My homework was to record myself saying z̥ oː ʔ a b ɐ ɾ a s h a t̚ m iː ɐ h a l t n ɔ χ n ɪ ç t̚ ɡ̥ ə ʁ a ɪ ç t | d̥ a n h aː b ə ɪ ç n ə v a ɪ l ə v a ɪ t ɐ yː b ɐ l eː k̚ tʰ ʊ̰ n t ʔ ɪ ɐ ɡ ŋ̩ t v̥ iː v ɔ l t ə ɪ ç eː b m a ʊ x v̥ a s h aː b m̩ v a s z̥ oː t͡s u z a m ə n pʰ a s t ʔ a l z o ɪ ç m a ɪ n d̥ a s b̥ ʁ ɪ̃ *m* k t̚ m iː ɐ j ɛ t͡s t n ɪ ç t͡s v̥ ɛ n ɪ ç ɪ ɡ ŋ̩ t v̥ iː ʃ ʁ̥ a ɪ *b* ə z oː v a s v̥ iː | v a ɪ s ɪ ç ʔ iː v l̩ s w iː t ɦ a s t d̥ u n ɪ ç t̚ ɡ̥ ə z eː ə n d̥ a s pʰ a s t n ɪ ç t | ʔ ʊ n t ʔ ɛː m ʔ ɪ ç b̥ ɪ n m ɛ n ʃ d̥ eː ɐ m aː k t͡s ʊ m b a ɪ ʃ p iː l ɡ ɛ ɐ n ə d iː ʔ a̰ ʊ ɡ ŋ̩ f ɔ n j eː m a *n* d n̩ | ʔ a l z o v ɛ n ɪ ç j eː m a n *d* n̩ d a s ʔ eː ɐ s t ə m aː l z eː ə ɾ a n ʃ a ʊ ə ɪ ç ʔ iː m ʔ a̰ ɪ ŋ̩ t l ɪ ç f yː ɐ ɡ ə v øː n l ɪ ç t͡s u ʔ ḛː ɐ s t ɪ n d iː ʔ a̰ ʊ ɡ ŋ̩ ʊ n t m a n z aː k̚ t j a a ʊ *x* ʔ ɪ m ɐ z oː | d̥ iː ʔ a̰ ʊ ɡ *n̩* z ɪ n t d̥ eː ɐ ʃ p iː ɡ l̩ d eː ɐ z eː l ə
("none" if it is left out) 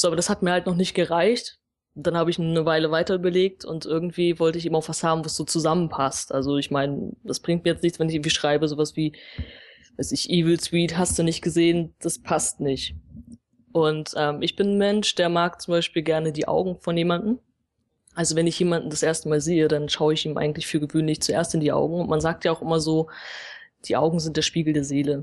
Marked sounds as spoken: ŋ, b, n, d, x, ŋ̩

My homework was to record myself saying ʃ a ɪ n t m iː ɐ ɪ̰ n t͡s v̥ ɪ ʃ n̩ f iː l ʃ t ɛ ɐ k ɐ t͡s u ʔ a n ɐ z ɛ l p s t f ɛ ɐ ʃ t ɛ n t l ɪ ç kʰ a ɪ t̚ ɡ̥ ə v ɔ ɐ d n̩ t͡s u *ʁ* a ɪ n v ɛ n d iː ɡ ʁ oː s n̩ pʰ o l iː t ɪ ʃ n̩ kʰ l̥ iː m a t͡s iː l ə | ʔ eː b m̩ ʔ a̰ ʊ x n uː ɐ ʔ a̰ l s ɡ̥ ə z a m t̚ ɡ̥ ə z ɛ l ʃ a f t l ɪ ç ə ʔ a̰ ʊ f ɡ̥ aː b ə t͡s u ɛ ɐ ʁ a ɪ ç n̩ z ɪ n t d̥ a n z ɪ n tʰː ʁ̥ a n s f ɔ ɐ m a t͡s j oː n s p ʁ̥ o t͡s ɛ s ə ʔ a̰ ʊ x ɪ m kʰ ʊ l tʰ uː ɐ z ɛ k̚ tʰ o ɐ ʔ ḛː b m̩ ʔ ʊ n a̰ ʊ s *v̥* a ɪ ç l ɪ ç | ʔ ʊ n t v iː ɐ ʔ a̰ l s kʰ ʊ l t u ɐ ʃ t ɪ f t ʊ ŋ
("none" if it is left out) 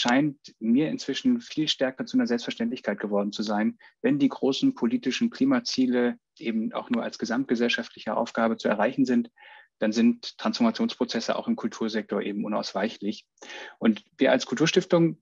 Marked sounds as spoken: z, v̥

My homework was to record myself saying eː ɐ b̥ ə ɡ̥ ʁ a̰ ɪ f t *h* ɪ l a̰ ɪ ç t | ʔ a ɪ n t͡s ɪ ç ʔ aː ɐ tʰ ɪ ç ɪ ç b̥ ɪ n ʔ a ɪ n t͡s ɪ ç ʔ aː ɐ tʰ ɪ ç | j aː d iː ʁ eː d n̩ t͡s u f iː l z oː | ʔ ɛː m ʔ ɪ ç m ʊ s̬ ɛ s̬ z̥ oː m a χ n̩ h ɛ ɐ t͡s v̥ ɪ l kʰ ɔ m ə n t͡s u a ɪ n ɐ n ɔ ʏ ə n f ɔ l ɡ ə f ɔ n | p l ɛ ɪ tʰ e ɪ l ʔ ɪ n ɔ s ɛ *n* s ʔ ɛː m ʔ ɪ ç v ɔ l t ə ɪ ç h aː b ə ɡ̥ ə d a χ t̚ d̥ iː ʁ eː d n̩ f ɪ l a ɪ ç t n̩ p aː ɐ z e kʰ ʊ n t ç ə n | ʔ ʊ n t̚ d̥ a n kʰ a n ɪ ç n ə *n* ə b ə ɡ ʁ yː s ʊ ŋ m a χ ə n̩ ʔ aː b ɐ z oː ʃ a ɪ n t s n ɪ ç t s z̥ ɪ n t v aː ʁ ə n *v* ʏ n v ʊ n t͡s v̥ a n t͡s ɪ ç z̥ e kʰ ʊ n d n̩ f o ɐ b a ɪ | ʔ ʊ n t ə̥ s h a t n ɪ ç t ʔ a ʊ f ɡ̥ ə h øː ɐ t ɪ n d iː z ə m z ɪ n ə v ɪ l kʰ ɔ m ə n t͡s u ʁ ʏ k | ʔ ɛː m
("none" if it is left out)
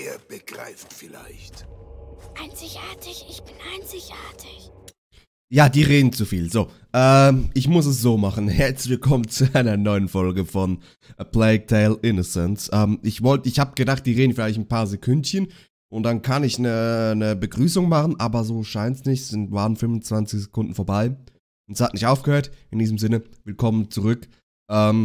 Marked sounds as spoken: f, n, n, f

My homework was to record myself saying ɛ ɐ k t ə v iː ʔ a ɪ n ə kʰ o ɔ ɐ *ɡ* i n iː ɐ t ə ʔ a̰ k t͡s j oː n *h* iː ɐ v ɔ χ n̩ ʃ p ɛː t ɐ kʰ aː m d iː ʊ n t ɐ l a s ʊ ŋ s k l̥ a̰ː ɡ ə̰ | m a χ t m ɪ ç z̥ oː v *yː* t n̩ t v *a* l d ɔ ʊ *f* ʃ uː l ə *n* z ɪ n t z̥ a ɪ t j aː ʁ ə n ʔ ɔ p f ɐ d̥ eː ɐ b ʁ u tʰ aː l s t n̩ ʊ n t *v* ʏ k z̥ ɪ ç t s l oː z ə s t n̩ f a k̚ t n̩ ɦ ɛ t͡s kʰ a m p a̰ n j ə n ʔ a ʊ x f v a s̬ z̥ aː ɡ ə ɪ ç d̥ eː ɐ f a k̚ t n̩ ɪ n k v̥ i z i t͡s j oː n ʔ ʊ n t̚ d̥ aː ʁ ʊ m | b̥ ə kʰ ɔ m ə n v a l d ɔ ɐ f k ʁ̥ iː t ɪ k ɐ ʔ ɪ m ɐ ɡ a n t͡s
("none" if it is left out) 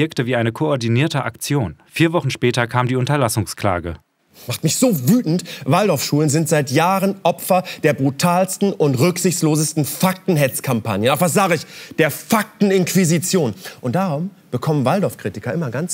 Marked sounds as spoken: d, f, yː, a, f, n, ʁ

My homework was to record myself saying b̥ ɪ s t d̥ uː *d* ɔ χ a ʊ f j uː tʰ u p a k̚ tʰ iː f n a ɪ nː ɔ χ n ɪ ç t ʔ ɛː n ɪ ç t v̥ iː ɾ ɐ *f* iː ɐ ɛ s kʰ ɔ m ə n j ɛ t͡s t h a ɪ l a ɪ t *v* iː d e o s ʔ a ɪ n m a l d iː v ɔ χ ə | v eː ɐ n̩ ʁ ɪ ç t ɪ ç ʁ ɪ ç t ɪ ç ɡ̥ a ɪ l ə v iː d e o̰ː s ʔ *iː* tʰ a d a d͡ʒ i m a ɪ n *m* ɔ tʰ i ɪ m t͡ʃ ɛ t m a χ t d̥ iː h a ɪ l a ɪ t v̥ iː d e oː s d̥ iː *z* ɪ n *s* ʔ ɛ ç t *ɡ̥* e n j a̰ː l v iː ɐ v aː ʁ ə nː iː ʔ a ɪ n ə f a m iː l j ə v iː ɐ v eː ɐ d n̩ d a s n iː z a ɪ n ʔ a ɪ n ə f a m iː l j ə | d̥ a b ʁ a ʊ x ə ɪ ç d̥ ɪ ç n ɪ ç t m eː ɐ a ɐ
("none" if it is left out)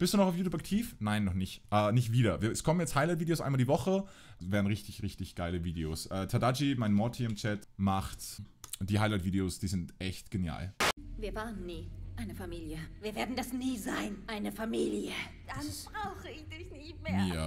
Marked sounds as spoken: n, v, v, ɛː, m, z, t, ɡ̥

